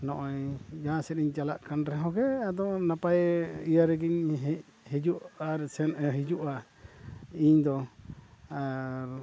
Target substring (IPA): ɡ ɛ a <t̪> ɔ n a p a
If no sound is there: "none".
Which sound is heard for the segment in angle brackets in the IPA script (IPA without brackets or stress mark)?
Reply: d̪